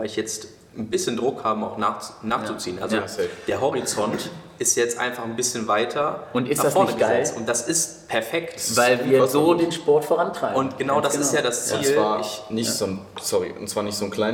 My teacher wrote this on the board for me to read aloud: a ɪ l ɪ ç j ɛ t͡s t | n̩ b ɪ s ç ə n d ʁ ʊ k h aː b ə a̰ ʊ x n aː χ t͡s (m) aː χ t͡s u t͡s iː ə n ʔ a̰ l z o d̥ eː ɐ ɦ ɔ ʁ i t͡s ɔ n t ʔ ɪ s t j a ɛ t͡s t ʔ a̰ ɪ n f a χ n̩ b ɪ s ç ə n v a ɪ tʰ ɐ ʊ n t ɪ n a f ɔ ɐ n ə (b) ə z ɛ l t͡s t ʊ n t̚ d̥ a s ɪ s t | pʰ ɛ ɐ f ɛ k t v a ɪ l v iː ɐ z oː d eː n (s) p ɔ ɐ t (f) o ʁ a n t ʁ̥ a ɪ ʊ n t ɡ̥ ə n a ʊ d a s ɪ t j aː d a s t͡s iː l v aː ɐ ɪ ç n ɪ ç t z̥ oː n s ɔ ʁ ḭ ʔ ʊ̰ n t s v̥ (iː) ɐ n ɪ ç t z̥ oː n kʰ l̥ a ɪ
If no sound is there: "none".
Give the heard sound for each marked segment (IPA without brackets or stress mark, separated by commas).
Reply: n, ɡ, ʃ, f, aː